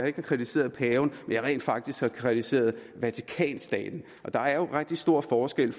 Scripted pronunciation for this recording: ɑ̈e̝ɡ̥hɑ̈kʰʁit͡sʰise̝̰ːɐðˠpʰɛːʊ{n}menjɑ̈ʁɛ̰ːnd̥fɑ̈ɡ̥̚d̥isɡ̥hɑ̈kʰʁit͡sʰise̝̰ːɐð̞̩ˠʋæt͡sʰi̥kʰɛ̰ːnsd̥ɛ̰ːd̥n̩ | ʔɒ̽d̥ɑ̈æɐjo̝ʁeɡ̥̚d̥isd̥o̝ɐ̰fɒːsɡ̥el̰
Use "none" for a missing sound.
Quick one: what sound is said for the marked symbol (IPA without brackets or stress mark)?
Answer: n